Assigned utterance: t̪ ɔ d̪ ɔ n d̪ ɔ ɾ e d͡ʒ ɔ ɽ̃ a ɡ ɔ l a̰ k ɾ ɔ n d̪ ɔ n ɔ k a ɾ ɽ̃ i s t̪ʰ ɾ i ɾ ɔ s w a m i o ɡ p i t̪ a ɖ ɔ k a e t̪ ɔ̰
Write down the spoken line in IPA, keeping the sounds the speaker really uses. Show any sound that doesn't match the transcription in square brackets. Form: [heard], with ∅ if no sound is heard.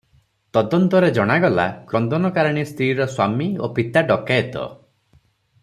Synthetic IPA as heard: t̪ ɔ d̪ ɔ n [t̪] ɔ ɾ e d͡ʒ ɔ ɽ̃ a ɡ ɔ l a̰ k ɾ ɔ n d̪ ɔ n ɔ k a ɾ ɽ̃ i s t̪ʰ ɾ i ɾ ɔ s w a m i o [∅] p i t̪ a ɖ ɔ k a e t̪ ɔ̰